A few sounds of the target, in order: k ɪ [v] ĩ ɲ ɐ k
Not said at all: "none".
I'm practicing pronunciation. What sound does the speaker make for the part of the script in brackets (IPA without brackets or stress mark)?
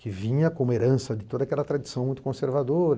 v